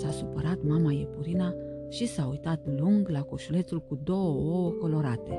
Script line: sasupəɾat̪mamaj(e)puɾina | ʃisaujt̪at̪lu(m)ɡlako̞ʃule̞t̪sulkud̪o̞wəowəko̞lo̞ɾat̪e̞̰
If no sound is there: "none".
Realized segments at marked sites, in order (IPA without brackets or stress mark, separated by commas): e, ŋ